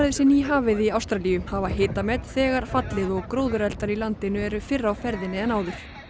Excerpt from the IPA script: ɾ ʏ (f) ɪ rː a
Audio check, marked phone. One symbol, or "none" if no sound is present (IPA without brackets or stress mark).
f